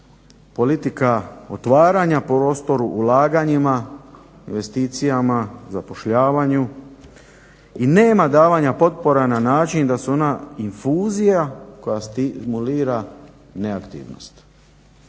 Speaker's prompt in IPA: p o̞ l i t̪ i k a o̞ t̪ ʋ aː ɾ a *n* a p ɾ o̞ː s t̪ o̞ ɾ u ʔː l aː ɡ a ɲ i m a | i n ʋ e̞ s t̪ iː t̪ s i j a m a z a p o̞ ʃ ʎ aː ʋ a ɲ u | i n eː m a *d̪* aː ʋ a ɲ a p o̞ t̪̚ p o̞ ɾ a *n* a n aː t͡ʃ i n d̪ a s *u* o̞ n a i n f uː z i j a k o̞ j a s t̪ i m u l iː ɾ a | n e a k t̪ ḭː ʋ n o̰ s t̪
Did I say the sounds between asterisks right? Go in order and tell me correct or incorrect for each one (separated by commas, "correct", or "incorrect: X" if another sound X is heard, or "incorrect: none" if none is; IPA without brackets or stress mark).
incorrect: ɲ, correct, correct, correct